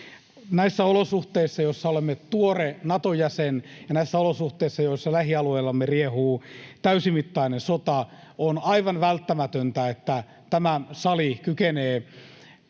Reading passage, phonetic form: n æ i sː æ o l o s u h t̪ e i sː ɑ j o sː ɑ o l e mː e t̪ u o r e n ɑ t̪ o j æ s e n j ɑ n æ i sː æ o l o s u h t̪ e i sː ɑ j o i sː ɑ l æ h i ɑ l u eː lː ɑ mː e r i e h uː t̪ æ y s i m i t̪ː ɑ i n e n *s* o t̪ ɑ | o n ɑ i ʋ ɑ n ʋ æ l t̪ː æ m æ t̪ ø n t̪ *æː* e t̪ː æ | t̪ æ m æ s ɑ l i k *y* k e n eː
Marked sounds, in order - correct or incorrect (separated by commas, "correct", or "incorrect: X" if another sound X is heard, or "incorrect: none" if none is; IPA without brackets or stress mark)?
correct, incorrect: æ, correct